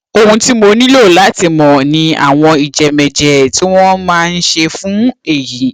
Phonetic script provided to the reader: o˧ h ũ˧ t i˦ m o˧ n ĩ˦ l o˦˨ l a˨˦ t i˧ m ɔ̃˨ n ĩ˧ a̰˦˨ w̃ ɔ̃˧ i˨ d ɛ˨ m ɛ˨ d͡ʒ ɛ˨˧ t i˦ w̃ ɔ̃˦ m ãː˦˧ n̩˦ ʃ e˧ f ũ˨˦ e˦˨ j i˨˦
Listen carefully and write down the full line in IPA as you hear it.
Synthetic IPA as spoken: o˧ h ũ˧ t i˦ m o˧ n ĩ˦ l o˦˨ l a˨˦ t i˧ m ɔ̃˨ n ĩ˧ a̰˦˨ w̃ ɔ̃˧ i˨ d͡ʒ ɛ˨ m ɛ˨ d͡ʒ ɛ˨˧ t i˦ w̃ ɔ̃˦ m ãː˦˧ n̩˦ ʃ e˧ f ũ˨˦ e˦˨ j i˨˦